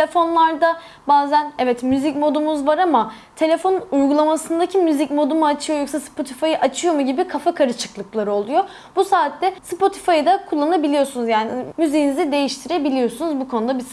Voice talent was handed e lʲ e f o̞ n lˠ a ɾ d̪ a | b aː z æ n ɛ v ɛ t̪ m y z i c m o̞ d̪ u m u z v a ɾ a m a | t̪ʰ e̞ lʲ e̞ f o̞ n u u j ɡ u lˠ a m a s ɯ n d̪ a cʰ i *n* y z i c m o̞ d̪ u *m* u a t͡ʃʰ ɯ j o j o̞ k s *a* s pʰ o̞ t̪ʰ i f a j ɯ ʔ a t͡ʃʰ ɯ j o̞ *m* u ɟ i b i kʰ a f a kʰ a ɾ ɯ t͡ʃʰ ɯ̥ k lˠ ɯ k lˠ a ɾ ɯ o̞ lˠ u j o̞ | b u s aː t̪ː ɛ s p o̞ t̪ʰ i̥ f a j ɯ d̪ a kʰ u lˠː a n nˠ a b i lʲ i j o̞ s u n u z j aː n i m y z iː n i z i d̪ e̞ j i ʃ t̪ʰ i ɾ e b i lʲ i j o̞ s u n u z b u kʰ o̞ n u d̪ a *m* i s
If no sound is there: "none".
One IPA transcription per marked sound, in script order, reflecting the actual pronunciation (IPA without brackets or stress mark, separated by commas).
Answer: m, m, a, m, b